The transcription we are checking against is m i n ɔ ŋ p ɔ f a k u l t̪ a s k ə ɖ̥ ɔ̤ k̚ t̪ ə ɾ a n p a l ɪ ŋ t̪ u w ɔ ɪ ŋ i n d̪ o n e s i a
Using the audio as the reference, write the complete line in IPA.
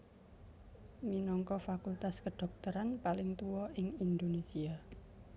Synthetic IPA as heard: m i n ɔ ŋ k ɔ f a k u l t̪ a s k ə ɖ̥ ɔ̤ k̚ t̪ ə ɾ a n p a l ɪ ŋ t̪ u w ɔ ɪ ŋ i n d̪ o n e s i a